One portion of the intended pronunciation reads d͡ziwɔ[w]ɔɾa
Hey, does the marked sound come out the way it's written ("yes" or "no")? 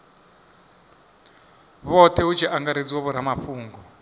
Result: no